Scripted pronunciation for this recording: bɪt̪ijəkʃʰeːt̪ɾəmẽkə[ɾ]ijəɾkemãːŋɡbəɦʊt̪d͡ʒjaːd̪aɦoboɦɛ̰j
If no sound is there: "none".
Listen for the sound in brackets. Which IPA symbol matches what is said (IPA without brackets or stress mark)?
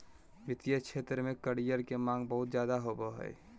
ɽ